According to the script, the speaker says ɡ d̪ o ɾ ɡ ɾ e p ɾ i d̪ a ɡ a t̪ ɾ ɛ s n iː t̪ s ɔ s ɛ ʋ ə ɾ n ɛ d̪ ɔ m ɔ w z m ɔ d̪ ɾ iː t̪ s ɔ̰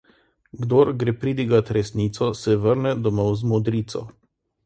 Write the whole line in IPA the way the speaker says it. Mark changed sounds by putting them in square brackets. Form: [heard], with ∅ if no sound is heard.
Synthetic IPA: ɡ d̪ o ɾ ɡ ɾ e p ɾ i d̪ [i] ɡ a t̪ ɾ ɛ s n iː t̪ s ɔ s ɛ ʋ ə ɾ n ɛ d̪ ɔ m ɔ w z m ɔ d̪ ɾ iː t̪ s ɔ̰